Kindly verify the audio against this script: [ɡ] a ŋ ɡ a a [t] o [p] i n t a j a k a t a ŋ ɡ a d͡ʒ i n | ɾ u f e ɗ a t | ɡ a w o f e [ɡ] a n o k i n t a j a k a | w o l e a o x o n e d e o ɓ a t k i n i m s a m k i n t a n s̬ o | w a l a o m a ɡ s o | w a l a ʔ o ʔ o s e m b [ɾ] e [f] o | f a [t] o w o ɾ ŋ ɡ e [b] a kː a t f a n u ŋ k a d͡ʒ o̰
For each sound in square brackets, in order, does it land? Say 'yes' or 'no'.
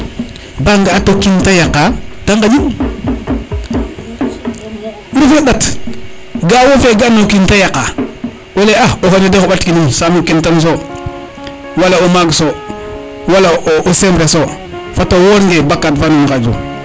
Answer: no, yes, no, yes, yes, no, yes, yes

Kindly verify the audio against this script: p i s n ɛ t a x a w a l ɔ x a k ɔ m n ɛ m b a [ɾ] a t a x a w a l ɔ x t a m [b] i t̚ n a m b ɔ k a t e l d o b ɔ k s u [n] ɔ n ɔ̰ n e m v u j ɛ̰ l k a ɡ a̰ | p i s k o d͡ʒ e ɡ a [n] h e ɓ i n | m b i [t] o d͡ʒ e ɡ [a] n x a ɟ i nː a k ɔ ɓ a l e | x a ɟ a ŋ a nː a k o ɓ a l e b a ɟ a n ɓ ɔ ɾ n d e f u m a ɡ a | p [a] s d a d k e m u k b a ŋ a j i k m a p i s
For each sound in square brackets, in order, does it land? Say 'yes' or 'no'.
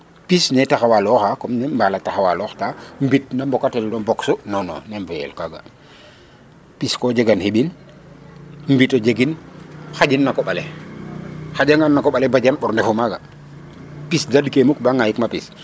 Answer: no, yes, yes, yes, yes, no, no

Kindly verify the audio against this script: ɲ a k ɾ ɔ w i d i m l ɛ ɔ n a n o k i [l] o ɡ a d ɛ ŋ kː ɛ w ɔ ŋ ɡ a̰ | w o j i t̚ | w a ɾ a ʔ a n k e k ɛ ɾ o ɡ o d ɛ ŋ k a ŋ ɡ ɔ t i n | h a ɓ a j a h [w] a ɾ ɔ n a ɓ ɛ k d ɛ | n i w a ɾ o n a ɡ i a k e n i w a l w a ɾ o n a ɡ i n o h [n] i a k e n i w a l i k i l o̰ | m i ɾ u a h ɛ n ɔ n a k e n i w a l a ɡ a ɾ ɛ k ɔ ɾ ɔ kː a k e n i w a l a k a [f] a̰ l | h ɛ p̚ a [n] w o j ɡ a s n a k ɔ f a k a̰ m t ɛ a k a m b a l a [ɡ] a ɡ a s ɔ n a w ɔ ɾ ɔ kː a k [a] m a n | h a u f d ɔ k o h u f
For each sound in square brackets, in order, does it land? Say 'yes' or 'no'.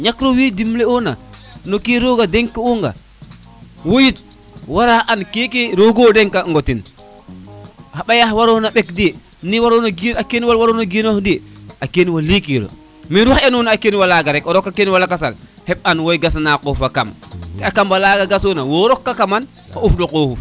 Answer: no, yes, no, no, yes, yes, yes

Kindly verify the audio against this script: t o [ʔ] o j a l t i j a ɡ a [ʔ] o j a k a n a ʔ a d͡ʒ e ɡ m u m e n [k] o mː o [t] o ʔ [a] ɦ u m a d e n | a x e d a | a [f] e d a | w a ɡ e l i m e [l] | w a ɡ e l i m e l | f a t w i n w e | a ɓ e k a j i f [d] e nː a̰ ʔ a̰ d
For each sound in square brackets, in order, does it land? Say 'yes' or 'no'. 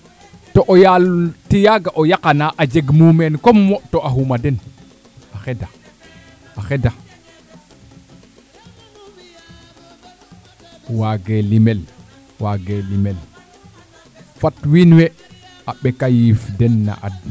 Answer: yes, yes, yes, yes, yes, no, yes, yes

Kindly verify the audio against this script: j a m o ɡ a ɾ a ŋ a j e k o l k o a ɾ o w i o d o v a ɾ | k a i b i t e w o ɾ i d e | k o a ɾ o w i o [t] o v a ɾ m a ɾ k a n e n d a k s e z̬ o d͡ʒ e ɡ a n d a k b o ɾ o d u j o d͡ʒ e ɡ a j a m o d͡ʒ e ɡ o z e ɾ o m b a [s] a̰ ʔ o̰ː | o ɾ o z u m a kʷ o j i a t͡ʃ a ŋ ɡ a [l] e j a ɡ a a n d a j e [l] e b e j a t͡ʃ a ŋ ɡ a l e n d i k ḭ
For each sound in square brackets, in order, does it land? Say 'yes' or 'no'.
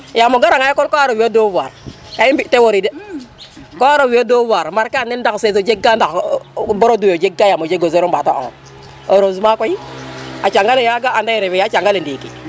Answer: no, no, yes, no

